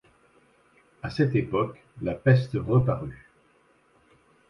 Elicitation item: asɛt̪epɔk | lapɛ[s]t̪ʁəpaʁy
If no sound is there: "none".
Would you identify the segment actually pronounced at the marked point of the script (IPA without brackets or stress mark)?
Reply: s